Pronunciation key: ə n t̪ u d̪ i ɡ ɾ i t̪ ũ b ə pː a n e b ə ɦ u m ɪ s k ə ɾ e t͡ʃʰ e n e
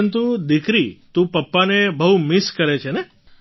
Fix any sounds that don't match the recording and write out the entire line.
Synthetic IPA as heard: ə n t̪ u d̪ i k ɾ i t̪ ũ p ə pː a n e b ə ɦ u m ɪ s k ə ɾ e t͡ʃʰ e n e